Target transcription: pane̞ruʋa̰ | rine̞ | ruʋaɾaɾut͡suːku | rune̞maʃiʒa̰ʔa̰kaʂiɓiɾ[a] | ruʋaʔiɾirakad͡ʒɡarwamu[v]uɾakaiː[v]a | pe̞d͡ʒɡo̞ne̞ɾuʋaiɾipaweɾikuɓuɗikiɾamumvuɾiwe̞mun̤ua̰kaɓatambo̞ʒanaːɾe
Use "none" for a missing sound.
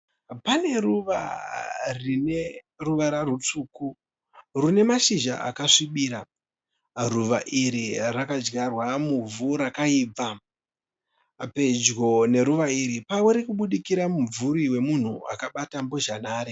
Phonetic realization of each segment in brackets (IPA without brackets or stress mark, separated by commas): a, v, b͡v